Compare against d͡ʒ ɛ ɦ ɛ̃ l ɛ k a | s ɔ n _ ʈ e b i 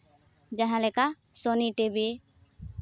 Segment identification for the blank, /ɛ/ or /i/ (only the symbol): i